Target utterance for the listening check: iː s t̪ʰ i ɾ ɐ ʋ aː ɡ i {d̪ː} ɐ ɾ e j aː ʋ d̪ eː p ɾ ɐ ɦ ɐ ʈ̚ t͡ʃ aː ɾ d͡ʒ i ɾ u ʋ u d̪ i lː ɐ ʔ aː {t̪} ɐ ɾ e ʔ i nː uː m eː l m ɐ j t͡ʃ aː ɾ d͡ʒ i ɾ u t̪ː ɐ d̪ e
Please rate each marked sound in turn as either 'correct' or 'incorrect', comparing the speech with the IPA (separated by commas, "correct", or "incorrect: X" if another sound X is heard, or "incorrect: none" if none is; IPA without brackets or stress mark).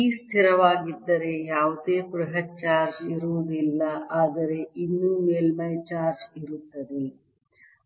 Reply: correct, incorrect: d̪